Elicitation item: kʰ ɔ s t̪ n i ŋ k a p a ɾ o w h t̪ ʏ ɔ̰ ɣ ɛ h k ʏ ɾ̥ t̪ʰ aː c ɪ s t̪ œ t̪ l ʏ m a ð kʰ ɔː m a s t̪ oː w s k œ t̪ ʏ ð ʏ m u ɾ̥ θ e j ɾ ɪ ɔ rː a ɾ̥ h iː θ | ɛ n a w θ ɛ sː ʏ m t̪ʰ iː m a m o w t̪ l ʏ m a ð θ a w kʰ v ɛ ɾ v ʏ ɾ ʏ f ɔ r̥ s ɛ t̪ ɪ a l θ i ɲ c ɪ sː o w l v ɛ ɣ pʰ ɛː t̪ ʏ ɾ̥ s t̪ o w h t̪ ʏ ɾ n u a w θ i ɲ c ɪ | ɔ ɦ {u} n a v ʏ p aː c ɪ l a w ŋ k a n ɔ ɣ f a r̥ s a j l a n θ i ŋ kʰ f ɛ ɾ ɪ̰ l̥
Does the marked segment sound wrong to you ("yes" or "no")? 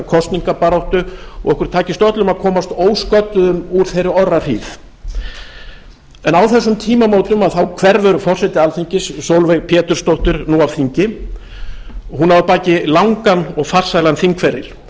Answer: no